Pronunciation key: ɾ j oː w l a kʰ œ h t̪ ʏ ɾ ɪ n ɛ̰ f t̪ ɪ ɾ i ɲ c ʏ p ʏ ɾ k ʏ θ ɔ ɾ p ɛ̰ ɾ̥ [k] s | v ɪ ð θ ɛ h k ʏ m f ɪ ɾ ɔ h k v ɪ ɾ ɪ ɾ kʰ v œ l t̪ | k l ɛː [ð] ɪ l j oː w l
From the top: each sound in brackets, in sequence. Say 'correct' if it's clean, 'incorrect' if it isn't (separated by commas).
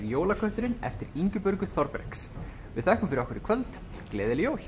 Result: correct, correct